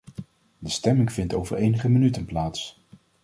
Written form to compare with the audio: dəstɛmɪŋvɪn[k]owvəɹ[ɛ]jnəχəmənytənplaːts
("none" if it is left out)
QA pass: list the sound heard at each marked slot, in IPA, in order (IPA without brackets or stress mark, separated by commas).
t, e